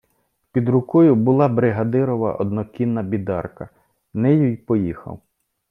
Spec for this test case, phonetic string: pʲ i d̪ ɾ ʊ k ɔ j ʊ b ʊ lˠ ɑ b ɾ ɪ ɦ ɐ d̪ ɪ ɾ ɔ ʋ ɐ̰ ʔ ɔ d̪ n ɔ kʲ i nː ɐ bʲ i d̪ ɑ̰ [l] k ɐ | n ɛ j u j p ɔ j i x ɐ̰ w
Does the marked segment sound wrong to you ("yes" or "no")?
yes